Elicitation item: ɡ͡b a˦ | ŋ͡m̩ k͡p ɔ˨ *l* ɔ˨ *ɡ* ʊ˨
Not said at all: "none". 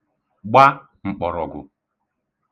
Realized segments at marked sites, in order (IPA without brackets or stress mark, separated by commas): ɾ, ɡ